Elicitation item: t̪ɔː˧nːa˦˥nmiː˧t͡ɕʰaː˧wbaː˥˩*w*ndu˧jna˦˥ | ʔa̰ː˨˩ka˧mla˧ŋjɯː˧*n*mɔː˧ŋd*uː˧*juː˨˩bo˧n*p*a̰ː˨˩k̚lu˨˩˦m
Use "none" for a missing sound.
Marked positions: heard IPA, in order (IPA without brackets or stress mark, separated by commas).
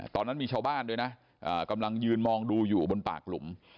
none, n, uː˧, p